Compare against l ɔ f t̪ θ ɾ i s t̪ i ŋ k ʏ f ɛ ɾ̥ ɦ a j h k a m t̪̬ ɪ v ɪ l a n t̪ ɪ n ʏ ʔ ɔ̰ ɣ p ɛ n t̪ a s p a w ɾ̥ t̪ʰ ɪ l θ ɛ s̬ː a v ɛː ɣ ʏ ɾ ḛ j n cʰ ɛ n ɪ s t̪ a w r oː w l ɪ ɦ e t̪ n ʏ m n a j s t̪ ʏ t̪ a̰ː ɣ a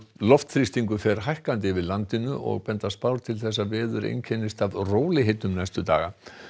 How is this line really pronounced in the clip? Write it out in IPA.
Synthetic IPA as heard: l ɔ f t̪ θ ɾ i s t̪ i ŋ k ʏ f ɛ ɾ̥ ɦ a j h k a n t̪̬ ɪ v ɪ l a n t̪ ɪ n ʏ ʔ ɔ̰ ɣ p ɛ n t̪ a s p a w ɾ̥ t̪ʰ ɪ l θ ɛ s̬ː a v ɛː ð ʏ ɾ ḛ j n cʰ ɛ n ɪ s t̪ a v r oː w l ɪ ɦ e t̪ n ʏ m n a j s t̪ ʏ t̪ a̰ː ɣ a